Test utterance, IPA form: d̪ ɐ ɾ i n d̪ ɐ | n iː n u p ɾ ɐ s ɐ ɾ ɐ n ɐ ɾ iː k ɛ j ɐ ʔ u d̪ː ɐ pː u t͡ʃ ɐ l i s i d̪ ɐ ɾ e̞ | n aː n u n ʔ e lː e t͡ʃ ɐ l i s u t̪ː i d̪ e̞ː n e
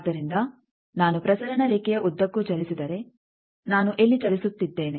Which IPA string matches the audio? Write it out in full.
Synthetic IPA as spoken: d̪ ɐ ɾ i n d̪ ɐ | n aː n u p ɾ ɐ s ɐ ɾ ɐ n ɐ ɾ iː k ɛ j ɐ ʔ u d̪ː ɐ kː u t͡ʃ ɐ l i s i d̪ ɐ ɾ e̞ | n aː n u ʔ e lː i t͡ʃ ɐ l i s u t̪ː i d̪ː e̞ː n e